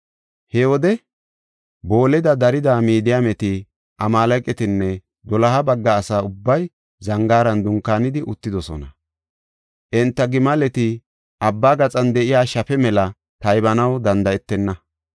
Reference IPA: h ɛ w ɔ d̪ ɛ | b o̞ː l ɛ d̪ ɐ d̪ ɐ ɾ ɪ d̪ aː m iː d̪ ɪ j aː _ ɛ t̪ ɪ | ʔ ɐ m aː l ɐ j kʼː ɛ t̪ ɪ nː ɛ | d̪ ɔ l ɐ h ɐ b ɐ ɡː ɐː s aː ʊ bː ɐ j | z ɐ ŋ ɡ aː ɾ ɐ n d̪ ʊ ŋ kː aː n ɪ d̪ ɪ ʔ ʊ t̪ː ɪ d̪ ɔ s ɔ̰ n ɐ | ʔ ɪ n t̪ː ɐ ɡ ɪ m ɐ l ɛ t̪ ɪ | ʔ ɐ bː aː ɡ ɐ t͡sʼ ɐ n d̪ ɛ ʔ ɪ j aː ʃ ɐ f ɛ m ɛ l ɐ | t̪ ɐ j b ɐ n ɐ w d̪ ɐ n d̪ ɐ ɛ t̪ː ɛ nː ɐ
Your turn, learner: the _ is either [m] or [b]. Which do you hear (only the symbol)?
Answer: m